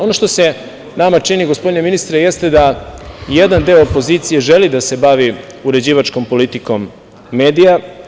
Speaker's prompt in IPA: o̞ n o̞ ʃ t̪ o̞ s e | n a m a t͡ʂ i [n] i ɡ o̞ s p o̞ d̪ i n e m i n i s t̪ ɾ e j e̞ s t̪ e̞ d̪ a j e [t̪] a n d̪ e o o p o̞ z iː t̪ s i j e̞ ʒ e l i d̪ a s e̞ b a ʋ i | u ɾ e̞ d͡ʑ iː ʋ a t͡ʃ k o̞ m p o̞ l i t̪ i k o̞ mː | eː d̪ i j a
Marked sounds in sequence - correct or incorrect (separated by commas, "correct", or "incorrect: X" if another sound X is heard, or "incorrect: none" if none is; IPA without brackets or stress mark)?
correct, incorrect: d̪